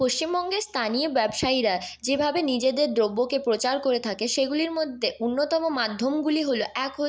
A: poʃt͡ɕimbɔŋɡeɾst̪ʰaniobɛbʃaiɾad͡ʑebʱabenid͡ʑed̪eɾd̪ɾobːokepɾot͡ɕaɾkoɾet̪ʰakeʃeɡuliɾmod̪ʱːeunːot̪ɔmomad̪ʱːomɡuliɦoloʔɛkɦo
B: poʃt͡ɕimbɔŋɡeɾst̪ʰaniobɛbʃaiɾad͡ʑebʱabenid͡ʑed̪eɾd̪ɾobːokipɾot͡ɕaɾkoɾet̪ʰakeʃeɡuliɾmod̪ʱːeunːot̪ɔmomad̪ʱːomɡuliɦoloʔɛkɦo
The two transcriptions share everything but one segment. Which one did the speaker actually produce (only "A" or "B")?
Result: A